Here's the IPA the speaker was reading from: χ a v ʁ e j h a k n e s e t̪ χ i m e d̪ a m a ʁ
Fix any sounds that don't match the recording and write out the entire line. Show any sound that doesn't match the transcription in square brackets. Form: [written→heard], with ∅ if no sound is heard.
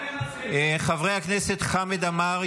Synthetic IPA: χ a v ʁ e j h a k n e s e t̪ χ [i→a] m e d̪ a m a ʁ